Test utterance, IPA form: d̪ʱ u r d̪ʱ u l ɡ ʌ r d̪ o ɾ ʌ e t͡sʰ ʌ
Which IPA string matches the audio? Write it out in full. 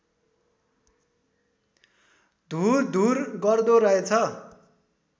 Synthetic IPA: d̪ʱ u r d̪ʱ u r ɡ ʌ r d̪ o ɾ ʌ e t͡sʰ ʌ